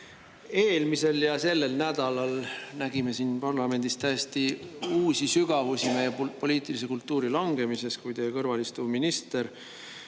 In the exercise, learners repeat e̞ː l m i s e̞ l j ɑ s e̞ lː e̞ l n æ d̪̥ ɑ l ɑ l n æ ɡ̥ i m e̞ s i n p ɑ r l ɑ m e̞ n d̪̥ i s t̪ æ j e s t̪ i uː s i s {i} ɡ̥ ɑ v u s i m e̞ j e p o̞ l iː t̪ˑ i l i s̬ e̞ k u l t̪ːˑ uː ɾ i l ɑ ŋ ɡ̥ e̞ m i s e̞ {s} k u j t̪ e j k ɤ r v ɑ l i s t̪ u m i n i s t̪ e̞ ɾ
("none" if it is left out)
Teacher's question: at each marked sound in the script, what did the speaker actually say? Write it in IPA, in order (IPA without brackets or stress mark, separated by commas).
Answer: y, s